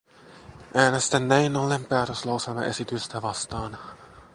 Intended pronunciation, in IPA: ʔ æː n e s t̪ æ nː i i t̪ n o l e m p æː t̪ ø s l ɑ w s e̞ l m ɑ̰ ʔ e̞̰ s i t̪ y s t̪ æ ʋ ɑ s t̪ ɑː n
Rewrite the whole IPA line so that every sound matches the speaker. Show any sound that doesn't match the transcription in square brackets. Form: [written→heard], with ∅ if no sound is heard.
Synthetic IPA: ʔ æː n e s t̪ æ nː [i→æ] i [t̪→∅] n o l e m p æː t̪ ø s l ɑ w s e̞ l m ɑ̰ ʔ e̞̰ s i t̪ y s t̪ æ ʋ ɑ s t̪ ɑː n